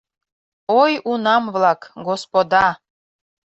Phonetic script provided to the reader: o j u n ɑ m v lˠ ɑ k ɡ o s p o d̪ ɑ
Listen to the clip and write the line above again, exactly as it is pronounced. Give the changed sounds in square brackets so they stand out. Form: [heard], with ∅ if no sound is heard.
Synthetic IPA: o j u n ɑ m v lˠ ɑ k ɡ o s p o d̪ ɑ